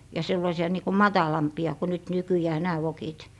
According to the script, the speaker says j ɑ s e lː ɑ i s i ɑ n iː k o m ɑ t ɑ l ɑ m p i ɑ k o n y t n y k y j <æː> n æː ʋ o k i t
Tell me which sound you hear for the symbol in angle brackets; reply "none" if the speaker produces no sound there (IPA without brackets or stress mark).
æː